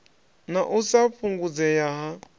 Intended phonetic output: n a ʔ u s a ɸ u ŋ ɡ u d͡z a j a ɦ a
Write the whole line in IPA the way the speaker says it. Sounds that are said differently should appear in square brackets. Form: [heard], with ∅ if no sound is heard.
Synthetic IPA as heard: n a ʔ u s a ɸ u ŋ ɡ u d͡z [ɛ] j a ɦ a

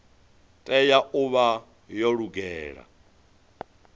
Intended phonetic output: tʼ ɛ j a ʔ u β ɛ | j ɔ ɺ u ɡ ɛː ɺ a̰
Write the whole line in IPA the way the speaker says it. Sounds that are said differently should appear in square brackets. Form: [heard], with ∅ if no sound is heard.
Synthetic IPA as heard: tʼ ɛ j a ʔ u β [a] | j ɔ ɺ u ɡ ɛː ɺ a̰

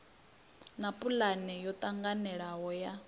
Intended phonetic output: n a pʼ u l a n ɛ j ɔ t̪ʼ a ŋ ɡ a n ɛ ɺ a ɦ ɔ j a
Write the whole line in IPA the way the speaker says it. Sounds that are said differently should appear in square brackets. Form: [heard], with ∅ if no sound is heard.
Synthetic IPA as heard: n a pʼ u l a n ɛ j ɔ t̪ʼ a ŋ ɡ a n ɛ ɺ a ɦ ɔ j a

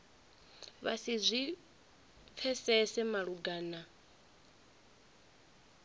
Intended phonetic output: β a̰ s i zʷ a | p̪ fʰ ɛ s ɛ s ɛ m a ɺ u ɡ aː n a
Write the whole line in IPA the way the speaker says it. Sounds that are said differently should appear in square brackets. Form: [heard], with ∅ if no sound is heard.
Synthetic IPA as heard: β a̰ s i zʷ [i] | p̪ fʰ ɛ s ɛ s ɛ m a ɺ u ɡ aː n a

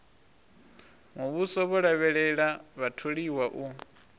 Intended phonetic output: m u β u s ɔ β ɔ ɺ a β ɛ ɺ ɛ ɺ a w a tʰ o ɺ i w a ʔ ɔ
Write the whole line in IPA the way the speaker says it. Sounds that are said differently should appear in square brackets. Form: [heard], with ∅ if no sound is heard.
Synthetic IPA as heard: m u β u s ɔ β ɔ ɺ a β ɛ ɺ ɛ ɺ a [β] a tʰ o ɺ i w a ʔ [u]

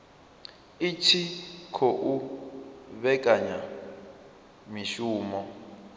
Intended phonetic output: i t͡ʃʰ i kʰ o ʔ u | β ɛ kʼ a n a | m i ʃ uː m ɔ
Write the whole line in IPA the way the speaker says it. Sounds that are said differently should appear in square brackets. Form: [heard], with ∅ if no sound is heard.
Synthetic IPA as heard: i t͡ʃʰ i kʰ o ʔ u | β ɛ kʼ a [ɲ] a | m i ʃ uː m ɔ

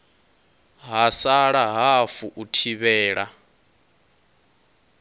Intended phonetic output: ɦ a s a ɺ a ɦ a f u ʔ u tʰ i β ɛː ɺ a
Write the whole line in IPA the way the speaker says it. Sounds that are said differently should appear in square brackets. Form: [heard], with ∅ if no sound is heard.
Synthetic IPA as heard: ɦ a s a ɺ a ɦ a f u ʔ u tʰ i β ɛː ɺ a

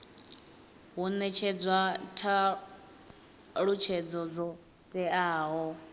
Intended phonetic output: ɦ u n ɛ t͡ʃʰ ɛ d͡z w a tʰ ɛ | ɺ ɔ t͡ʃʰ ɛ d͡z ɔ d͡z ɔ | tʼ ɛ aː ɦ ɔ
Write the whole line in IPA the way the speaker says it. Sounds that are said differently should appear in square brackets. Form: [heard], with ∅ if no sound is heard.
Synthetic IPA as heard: ɦ u n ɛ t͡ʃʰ ɛ d͡z w a tʰ [a] | ɺ [u] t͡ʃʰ ɛ d͡z ɔ d͡z ɔ | tʼ ɛ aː ɦ ɔ

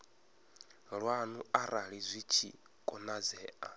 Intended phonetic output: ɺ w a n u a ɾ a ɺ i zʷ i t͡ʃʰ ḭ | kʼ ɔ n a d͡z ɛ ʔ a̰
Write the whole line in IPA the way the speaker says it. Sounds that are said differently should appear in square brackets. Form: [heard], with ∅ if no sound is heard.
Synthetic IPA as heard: ɺ w a n u a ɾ a ɺ i zʷ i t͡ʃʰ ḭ | kʼ ɔ n a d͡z [ɛː] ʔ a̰

